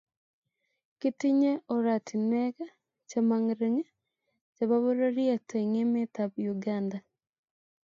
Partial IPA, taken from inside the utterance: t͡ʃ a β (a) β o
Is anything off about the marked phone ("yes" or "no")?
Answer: no